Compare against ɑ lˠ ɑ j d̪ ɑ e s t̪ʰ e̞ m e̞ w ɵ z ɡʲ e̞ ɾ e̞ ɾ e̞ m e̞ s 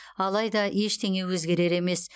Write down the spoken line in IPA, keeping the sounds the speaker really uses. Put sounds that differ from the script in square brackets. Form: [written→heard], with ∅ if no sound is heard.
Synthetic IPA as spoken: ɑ lˠ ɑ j d̪ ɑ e [s→ʃ] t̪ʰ e̞ [m→ŋ] e̞ w ɵ z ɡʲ e̞ ɾ e̞ ɾ e̞ m e̞ s